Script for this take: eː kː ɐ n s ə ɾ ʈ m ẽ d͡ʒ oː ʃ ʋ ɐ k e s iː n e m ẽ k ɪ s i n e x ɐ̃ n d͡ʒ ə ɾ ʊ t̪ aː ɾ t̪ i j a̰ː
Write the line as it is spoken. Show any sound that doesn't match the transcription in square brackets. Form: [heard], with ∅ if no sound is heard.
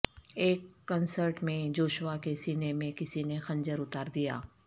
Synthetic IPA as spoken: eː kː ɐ n s ə ɾ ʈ m ẽ d͡ʒ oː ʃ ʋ [a] k e s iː n e m ẽ k ɪ s i n e x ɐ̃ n d͡ʒ ə ɾ ʊ t̪ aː ɾ [d̪] i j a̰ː